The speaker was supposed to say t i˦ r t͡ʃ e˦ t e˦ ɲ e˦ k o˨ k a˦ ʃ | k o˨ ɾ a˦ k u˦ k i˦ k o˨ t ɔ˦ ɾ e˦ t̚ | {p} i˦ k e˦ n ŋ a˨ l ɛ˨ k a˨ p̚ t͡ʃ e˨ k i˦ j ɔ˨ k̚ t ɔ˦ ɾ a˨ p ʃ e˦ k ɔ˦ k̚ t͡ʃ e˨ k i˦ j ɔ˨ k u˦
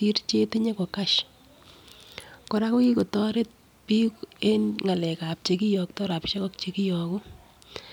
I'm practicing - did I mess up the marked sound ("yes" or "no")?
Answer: no